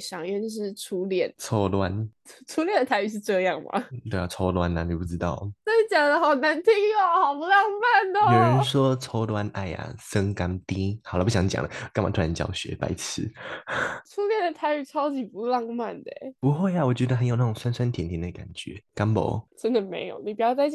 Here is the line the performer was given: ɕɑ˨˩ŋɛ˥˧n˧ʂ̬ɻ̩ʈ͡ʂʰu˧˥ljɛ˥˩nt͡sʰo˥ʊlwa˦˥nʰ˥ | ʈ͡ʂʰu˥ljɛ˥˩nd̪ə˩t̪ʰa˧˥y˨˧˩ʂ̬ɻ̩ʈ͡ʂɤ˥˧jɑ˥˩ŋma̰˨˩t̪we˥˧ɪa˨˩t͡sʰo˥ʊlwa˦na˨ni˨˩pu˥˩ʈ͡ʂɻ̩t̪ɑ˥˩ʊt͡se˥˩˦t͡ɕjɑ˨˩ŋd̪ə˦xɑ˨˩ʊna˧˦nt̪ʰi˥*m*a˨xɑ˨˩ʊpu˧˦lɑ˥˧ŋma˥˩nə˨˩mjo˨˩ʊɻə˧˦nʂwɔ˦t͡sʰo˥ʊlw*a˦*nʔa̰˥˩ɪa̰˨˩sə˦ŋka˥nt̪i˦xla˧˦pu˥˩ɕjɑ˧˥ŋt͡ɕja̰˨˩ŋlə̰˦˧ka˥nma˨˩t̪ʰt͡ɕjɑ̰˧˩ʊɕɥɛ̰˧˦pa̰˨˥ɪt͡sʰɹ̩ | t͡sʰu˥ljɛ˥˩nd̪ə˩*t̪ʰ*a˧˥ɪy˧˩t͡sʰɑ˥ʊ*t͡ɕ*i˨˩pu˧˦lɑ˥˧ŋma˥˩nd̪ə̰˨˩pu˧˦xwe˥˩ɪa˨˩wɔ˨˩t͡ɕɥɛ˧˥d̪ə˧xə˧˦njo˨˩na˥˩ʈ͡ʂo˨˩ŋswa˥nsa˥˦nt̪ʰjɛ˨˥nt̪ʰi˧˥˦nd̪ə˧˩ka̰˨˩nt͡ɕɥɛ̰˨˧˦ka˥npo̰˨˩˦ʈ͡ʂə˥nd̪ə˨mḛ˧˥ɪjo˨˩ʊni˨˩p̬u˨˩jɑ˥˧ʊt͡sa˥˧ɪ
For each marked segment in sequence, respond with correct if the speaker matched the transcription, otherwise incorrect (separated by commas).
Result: incorrect, correct, correct, correct